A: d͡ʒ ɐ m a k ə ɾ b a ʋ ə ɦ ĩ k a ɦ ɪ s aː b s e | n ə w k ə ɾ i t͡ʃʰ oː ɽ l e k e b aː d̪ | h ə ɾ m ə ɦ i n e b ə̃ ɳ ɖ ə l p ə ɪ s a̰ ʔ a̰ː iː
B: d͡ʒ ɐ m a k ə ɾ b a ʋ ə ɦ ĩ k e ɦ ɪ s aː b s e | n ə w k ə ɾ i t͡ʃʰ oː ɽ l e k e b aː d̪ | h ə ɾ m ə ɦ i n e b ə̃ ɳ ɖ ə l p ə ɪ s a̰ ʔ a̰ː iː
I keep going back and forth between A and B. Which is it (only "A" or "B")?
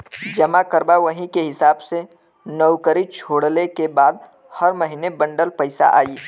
B